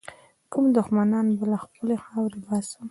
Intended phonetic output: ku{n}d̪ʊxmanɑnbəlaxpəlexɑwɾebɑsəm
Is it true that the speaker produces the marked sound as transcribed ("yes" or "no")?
no